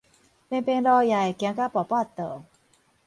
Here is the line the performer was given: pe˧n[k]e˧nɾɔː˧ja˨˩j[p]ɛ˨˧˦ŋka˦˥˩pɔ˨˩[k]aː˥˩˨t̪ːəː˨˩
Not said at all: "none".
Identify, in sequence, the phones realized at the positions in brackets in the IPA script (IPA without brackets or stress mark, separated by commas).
p, k, p